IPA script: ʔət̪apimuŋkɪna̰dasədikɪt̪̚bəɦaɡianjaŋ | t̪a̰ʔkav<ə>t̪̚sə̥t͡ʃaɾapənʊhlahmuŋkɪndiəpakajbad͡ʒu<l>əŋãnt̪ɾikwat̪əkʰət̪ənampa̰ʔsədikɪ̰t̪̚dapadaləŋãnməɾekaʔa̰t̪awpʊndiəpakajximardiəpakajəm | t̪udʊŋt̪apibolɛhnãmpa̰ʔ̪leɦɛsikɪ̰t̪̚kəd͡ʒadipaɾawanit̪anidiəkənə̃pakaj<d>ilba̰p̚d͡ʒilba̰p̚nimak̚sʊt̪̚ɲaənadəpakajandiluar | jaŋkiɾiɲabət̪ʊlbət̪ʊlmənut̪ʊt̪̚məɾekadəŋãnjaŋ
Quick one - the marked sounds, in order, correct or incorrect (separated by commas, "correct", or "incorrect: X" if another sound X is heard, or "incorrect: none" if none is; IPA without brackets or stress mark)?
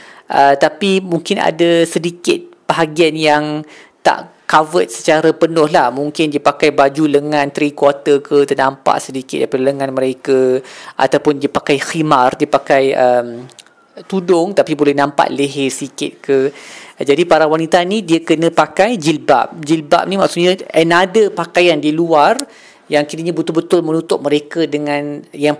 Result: correct, correct, incorrect: d͡ʒ